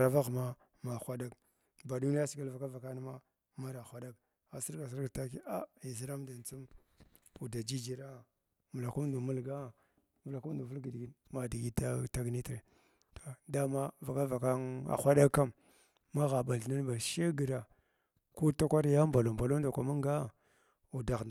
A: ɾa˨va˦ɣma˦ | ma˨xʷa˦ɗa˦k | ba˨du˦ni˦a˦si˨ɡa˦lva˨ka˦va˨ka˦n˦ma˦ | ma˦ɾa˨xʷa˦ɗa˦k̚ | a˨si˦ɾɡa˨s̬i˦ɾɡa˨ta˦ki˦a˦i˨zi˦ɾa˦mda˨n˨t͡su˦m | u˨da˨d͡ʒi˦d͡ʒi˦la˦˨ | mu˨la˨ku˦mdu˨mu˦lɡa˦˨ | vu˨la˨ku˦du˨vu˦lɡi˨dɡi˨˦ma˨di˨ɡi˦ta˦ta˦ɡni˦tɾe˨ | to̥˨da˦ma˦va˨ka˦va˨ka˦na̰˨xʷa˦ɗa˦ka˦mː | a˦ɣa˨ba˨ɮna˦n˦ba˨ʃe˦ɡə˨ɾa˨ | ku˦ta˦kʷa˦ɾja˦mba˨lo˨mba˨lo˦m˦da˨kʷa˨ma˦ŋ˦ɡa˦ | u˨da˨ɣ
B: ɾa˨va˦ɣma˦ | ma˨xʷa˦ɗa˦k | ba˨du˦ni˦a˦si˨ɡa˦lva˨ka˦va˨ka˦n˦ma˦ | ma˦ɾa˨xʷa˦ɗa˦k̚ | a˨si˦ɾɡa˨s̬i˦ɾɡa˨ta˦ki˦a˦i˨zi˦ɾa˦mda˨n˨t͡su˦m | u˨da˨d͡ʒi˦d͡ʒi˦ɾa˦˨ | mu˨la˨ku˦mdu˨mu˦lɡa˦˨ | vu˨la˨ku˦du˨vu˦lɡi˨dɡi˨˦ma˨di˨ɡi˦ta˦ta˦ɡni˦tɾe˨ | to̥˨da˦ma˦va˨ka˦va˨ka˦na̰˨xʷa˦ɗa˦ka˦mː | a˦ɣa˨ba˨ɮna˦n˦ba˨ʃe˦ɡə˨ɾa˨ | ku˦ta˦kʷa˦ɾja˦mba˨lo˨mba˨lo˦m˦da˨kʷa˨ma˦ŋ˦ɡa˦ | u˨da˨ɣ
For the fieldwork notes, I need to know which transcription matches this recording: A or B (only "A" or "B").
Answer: B